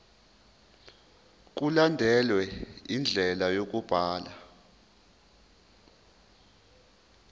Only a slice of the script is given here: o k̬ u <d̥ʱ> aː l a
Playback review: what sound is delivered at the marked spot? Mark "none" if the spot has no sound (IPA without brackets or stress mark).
b̥ʱ